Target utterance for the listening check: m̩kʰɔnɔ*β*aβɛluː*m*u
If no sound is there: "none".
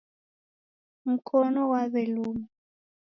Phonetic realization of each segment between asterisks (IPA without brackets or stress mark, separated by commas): w, m